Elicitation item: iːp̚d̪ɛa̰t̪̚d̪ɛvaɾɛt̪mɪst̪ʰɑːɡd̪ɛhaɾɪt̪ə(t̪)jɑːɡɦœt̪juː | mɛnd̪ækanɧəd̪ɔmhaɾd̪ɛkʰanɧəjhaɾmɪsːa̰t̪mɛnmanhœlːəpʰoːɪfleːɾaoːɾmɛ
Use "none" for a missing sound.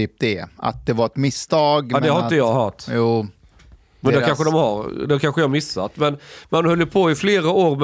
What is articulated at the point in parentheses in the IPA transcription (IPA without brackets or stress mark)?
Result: none